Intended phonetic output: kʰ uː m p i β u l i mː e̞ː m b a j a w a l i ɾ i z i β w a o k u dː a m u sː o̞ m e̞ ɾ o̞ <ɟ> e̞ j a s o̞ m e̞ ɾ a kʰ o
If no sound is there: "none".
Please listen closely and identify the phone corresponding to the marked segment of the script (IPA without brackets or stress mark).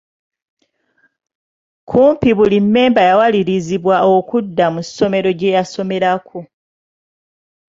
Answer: ɟ